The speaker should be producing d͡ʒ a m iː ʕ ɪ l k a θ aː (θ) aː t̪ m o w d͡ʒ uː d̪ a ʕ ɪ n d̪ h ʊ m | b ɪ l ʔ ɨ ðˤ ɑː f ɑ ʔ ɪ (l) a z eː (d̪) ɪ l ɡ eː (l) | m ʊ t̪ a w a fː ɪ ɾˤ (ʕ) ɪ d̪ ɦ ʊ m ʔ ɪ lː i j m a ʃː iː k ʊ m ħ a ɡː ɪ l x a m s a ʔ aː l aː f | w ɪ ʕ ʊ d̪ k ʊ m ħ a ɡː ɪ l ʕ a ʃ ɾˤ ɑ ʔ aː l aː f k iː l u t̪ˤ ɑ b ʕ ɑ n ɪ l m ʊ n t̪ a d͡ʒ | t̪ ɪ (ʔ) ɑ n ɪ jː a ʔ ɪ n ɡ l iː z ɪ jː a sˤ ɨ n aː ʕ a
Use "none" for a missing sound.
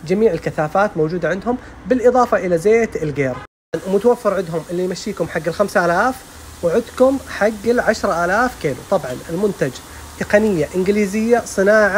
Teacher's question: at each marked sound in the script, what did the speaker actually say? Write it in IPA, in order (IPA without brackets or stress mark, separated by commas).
f, l, t̪, ɾ, ʕ, q